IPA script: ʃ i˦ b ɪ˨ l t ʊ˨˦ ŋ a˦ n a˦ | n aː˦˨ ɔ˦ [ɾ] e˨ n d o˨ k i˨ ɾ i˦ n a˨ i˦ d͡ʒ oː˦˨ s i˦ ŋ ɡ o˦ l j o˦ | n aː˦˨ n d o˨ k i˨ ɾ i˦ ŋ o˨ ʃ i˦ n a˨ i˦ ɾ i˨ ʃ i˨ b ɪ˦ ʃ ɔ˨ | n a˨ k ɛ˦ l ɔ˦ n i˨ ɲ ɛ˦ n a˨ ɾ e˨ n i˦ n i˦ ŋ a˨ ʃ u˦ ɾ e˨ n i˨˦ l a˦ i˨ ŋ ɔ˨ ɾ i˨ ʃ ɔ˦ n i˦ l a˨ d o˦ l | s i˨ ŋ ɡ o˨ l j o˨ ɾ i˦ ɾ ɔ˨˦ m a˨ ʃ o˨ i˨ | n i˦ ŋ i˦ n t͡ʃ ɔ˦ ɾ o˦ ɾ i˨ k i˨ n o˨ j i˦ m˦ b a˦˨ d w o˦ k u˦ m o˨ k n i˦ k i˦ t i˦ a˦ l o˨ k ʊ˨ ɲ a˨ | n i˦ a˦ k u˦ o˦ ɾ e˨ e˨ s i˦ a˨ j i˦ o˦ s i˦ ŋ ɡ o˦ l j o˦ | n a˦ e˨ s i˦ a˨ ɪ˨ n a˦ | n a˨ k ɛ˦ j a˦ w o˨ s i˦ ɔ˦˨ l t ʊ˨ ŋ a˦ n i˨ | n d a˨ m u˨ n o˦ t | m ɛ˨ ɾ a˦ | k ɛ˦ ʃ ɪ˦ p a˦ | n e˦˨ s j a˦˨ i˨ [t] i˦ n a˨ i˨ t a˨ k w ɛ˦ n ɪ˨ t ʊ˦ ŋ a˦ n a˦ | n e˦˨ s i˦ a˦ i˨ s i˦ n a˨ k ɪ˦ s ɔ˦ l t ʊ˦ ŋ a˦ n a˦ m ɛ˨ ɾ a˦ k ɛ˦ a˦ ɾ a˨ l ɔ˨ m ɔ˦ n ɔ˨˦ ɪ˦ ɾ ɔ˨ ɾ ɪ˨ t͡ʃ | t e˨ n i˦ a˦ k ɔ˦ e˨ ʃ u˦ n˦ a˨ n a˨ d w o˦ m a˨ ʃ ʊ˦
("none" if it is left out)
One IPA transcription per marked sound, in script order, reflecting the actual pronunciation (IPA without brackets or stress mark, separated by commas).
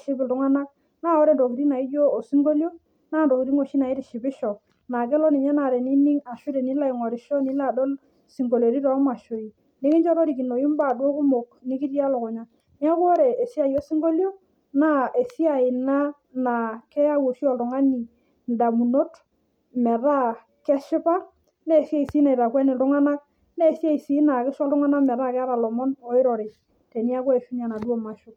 ɾ, s